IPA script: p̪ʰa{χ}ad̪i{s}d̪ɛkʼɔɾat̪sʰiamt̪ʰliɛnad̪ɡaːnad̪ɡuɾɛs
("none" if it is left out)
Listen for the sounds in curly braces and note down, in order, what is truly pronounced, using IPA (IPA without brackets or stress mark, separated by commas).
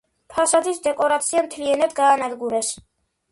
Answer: s, s